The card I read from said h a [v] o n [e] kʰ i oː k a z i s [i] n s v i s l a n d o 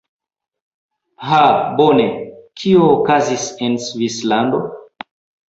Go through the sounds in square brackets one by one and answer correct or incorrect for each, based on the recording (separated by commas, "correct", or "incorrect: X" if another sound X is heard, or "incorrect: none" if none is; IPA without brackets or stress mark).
incorrect: b, correct, incorrect: e